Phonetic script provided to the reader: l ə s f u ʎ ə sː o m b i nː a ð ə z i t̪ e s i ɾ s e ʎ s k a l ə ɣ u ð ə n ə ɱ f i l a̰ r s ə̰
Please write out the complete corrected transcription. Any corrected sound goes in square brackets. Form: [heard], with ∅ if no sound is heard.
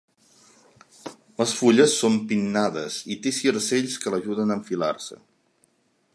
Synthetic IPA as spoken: l ə s f u ʎ ə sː o m [p] i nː a ð ə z i t̪ e s i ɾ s e ʎ s k [ə] l ə [ʒ] u ð ə n ə ɱ f i l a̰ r s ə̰

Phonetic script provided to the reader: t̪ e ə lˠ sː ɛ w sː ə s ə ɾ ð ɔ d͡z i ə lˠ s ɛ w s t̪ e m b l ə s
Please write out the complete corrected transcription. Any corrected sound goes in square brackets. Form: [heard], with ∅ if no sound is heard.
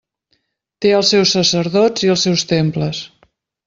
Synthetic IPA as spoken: t̪ e ə lˠ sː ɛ w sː ə s ə ɾ ð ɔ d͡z i ə lˠ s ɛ w s t̪ e m [p] l ə s

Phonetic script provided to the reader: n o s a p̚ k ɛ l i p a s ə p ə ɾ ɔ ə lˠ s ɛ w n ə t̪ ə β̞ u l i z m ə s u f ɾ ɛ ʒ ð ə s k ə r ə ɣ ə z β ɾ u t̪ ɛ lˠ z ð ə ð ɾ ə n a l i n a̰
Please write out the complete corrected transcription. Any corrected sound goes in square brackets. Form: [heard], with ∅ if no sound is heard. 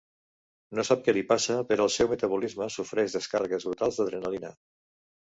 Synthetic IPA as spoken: n o s a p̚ k ɛ l i p a s ə p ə ɾ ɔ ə lˠ s ɛ w [m] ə t̪ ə β̞ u l i z m ə s u f ɾ ɛ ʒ ð ə s k [a] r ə ɣ ə z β ɾ u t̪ [a] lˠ z ð ə ð ɾ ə n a l i n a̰

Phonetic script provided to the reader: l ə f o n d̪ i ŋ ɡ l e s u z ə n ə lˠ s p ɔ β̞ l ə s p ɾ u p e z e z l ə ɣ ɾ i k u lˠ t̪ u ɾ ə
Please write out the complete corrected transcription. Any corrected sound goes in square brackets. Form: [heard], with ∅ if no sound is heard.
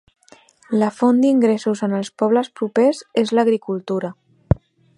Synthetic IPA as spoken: l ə f o n d̪ i ŋ ɡ [ɾ] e s u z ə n ə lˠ s p ɔ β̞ l ə s p ɾ u p e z e z l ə ɣ ɾ i k u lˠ t̪ u ɾ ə

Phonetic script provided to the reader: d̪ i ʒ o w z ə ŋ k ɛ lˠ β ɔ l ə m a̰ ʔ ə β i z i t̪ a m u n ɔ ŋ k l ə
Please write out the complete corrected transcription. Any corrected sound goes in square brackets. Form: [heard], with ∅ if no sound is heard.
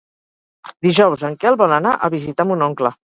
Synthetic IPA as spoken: d̪ i ʒ [ɔ] w z ə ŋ k ɛ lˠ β ɔ l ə [n] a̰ ʔ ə β i z i t̪ a m u n ɔ ŋ k l ə

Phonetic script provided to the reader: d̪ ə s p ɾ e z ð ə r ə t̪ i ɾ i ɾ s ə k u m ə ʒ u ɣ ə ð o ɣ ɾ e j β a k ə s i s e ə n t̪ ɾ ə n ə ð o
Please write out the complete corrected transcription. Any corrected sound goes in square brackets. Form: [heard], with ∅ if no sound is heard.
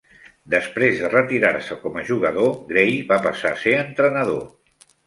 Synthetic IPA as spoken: d̪ ə s p ɾ e z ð ə r ə t̪ i ɾ [a] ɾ s ə k [ɔ] m ə ʒ u ɣ ə ð o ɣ ɾ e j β a [p] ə s [a] s e ə n t̪ ɾ ə n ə ð o

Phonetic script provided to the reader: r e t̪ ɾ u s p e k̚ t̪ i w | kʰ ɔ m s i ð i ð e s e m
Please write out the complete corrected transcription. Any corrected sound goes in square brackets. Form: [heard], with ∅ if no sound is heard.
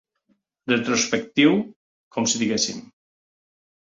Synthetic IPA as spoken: r e t̪ ɾ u s p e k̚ t̪ i w | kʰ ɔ m s i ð i [ɣ] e s [i] m

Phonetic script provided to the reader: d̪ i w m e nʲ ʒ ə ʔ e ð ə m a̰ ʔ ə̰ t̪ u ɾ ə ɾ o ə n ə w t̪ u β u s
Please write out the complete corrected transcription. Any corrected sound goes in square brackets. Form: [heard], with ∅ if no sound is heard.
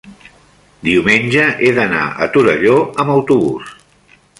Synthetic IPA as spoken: d̪ i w m e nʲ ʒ ə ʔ e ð ə [n] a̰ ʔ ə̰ t̪ u ɾ ə [ʎ] o ə [m] ə w t̪ u β u s

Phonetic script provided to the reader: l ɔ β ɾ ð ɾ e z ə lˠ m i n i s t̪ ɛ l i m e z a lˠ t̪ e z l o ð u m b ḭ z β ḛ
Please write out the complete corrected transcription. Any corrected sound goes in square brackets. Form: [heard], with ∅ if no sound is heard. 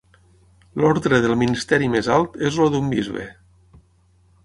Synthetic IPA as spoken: l ɔ [∅] ɾ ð ɾ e [ð] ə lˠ m i n i s t̪ ɛ [ɾ] i m e z a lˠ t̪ e z l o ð u m b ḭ z β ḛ

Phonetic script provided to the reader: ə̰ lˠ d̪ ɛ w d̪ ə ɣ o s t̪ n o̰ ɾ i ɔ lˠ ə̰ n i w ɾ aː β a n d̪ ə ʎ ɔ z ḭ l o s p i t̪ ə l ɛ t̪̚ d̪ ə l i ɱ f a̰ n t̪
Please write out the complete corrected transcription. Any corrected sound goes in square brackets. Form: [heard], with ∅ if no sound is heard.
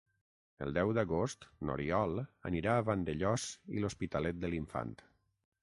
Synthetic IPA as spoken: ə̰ lˠ d̪ ɛ w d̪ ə ɣ o s t̪ n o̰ ɾ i ɔ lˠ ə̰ n i [∅] ɾ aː β a n d̪ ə ʎ ɔ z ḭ l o s p i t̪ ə l ɛ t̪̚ d̪ ə l i ɱ f a̰ n t̪

